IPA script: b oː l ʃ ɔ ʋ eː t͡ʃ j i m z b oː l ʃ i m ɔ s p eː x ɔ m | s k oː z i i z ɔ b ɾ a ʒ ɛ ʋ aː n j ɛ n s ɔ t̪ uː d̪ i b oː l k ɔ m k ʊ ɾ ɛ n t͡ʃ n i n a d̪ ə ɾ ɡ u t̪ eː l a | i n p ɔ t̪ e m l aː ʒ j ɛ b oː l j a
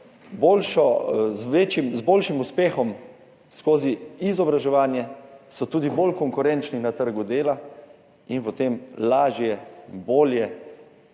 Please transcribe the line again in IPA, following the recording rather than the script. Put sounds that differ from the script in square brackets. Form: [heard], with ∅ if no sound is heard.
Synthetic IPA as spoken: b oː l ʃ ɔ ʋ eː t͡ʃ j i m z b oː l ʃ i m [u] s p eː x ɔ m | s k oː z i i z ɔ b ɾ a ʒ ɛ ʋ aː n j ɛ [∅] s ɔ t̪ uː d̪ i b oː l k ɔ [ŋ] k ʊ ɾ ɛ n t͡ʃ n i n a [t̪] ə ɾ ɡ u [d̪] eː l a | i n p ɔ t̪ e m l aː ʒ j ɛ b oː l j [ɛ]